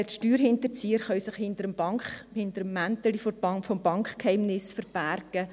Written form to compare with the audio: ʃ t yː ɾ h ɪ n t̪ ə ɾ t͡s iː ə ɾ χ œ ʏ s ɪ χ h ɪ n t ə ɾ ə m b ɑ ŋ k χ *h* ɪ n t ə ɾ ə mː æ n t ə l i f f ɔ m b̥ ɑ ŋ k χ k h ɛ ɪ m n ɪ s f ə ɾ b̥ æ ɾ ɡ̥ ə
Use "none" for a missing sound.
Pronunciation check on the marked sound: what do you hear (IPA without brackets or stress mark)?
h